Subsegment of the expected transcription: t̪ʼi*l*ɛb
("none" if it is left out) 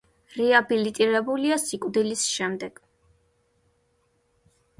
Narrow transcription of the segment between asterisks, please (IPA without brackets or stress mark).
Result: ɾ